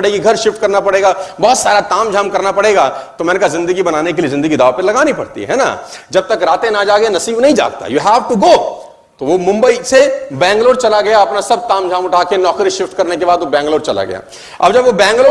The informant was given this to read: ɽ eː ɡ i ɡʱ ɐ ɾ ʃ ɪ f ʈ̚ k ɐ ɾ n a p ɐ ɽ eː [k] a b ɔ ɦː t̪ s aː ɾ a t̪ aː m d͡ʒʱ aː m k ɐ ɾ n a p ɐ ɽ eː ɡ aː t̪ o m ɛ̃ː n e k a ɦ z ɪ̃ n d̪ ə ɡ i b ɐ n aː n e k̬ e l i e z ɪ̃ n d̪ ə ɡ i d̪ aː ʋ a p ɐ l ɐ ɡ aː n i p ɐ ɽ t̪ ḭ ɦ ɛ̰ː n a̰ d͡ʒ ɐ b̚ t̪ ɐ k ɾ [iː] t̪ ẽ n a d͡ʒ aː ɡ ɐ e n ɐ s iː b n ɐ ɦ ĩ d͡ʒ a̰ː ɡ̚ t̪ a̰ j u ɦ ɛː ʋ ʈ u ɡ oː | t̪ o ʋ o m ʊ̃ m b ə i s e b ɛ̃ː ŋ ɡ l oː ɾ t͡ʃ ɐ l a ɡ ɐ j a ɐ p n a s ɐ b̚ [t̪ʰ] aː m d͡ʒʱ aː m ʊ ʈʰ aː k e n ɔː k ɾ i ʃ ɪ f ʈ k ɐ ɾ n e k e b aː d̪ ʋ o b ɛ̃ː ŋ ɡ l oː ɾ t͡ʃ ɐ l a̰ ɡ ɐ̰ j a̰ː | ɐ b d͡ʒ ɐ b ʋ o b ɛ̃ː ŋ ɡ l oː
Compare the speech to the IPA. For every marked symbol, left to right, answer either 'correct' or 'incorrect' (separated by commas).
incorrect, incorrect, incorrect